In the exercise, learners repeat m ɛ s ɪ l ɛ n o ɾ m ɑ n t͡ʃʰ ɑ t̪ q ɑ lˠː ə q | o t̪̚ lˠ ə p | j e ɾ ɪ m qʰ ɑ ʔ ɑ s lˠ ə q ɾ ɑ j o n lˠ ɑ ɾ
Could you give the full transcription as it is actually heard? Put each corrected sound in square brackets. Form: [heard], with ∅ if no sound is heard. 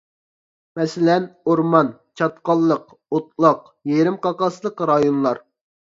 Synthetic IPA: m ɛ s ɪ l ɛ n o ɾ m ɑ n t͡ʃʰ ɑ t̪ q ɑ lˠː ə q | o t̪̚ lˠ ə [q] | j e ɾ ɪ m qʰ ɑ [q] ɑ s lˠ ə q ɾ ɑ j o n lˠ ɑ ɾ